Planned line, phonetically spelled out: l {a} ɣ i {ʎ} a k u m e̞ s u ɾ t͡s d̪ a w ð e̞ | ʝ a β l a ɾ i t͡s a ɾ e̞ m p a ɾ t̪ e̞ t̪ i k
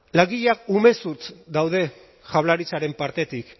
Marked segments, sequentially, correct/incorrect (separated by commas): correct, correct